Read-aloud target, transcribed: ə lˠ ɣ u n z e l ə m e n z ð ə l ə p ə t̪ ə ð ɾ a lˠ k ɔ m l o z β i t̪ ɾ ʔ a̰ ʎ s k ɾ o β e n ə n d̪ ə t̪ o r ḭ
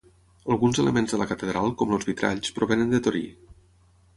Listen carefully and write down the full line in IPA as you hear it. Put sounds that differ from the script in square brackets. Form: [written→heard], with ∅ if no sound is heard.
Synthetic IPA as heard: ə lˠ ɣ u n z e l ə m e n z ð ə l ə [p→k] ə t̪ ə ð ɾ a lˠ k ɔ m l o z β i t̪ ɾ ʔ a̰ ʎ s [k→p] ɾ o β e n ə n d̪ ə t̪ o [r→ɾ] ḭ